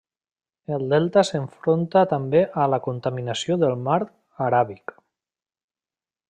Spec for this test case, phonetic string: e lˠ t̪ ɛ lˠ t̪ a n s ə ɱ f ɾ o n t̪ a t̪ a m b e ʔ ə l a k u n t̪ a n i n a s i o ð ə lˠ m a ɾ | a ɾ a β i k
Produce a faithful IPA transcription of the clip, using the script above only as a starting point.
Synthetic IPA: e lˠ d̪ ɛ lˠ t̪ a s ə ɱ f ɾ o n t̪ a t̪ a m b e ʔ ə l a k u n t̪ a m i n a s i o ð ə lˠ m a ɾ | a ɾ a β i k